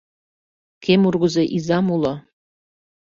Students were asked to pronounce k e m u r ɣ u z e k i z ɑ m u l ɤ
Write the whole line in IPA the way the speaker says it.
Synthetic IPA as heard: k e m u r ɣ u z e ʔ i z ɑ m u l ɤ